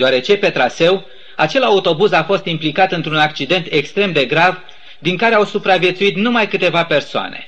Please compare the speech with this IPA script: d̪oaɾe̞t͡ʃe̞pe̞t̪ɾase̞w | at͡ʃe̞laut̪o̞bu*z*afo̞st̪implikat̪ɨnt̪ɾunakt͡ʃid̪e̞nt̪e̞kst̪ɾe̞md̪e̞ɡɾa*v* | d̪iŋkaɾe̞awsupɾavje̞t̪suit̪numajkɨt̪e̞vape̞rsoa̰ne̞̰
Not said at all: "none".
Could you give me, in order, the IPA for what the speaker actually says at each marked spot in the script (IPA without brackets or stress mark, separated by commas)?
z, v